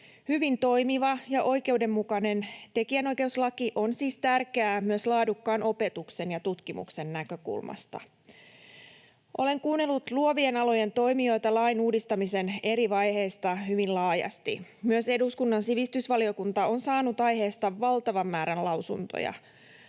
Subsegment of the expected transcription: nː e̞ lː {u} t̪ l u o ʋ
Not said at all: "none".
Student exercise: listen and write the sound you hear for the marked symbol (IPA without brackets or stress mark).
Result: u